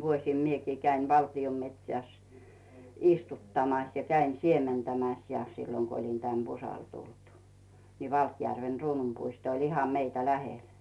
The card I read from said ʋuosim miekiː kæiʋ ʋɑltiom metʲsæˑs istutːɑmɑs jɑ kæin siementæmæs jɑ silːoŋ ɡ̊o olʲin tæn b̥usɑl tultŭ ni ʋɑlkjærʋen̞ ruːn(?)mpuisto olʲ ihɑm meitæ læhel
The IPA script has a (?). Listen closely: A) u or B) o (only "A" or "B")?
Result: A